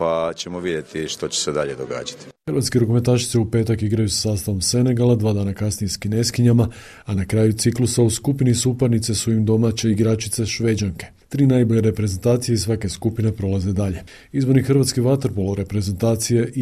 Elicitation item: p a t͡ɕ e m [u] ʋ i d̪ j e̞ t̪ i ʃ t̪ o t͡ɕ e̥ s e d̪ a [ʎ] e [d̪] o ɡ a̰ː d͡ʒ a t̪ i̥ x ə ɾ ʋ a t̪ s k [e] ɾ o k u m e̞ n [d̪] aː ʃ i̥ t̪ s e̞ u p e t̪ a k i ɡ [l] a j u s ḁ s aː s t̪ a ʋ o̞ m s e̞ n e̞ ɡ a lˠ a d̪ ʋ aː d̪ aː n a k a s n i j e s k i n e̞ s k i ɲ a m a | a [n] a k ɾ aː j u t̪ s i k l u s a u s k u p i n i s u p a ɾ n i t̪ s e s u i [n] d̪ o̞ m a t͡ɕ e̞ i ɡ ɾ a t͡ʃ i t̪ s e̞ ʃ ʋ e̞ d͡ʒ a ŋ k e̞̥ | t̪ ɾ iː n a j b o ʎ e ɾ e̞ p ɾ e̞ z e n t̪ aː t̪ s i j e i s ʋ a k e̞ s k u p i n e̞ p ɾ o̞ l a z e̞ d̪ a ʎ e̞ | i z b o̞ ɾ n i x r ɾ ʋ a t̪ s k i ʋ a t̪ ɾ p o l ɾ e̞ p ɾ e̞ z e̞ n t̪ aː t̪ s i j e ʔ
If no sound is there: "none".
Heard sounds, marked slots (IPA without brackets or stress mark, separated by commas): o, ʎ, d̪, e, t̪, ɾ, n, m